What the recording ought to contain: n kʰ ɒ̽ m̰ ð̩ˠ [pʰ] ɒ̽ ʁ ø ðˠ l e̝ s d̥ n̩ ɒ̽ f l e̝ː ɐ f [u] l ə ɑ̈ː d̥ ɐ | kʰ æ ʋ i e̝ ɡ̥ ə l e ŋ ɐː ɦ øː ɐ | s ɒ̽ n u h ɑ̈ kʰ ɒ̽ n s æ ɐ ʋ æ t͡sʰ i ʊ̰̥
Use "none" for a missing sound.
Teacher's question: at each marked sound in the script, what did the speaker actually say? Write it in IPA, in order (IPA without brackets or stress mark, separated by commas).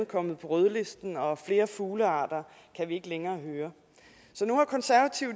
pʰ, uː